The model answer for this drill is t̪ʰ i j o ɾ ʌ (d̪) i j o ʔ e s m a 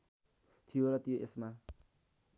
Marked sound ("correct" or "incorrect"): incorrect